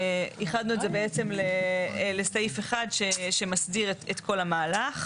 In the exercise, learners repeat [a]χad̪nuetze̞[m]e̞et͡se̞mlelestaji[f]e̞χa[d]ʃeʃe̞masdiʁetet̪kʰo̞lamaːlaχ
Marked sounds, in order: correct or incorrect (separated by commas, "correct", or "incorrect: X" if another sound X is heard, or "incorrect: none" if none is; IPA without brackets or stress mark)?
incorrect: i, incorrect: b, correct, correct